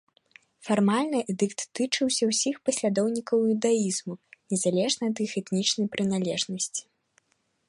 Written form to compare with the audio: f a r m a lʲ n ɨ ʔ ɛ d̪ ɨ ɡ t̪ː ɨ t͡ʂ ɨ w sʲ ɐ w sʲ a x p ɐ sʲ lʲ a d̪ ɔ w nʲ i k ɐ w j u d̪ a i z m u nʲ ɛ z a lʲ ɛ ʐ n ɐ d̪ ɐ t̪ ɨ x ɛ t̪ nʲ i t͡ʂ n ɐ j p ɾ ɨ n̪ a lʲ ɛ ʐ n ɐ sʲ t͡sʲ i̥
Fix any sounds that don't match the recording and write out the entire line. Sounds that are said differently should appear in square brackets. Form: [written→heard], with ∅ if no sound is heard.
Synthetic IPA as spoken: f a r m a lʲ n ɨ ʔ ɛ d̪ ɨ [ɡ→k] t̪ː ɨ t͡ʂ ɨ w sʲ ɐ w sʲ [a→i] x p ɐ sʲ lʲ a d̪ ɔ w nʲ i k ɐ w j u d̪ a i z m u nʲ ɛ z a lʲ ɛ ʐ n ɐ [d̪→∅] ɐ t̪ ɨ x ɛ t̪ nʲ i t͡ʂ n ɐ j p ɾ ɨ n̪ a lʲ ɛ ʐ n ɐ sʲ t͡sʲ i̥